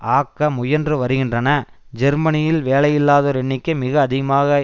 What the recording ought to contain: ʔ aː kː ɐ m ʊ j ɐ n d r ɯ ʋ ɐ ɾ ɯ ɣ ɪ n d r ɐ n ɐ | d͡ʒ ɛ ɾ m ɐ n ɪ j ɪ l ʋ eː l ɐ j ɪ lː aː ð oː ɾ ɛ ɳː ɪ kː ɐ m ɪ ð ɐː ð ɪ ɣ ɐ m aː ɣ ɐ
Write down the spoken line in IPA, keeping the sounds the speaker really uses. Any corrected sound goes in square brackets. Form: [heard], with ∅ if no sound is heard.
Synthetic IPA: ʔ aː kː ɐ m ʊ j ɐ n d r ɯ ʋ ɐ ɾ ɯ ɣ ɪ n d r ɐ n ɐ | d͡ʒ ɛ ɾ m ɐ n ɪ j ɪ l ʋ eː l ɐ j ɪ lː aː ð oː ɾ ɛ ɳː ɪ kː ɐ m ɪ [ɣ] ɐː ð ɪ ɣ ɐ m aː ɣ ɐ

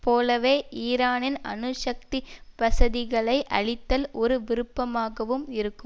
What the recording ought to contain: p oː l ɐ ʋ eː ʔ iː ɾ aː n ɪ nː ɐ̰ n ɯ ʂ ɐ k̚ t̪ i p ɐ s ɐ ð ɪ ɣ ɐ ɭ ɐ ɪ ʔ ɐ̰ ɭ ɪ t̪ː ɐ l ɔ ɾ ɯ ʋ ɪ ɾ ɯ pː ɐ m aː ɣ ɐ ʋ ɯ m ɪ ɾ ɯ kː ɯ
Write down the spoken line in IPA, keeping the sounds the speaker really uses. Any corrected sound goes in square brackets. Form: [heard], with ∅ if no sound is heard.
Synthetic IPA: p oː l ɐ ʋ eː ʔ iː ɾ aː n ɪ [n] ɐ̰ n ɯ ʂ ɐ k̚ t̪ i p ɐ s ɐ ð ɪ ɣ ɐ ɭ ɐ ɪ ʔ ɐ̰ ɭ ɪ t̪ː ɐ l ɔ ɾ ɯ ʋ ɪ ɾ ɯ pː ɐ m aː ɣ ɐ ʋ ɯ m ɪ ɾ ɯ kː ɯ

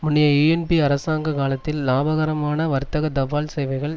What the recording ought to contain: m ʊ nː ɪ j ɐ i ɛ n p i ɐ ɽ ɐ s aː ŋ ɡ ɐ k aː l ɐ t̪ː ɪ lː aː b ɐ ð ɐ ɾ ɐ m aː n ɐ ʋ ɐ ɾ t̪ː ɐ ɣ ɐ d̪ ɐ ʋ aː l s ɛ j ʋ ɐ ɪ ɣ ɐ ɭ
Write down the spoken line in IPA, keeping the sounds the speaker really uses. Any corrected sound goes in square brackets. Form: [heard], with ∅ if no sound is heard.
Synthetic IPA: m ʊ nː ɪ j ɐ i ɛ n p i ɐ [ɾ] ɐ s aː ŋ ɡ ɐ k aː l ɐ t̪ː ɪ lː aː b ɐ [ɣ] ɐ ɾ ɐ m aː n ɐ ʋ ɐ ɾ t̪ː ɐ ɣ ɐ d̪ ɐ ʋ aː l s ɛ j ʋ ɐ ɪ ɣ ɐ ɭ

